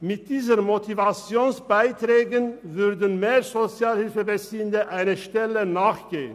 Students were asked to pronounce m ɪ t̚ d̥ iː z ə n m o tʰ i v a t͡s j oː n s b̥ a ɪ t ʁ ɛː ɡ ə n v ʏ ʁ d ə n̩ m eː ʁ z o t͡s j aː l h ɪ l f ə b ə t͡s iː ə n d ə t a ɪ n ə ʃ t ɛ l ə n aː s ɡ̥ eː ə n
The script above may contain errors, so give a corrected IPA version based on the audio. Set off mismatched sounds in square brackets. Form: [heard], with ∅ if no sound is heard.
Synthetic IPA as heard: m ɪ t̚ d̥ iː z ə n m o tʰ i v a t͡s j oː n s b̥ a ɪ t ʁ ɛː ɡ ə n v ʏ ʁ d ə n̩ m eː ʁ z o t͡s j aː l h ɪ l f ə b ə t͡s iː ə n d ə [ʔ] a ɪ n ə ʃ t ɛ l ə n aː [χ] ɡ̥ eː ə n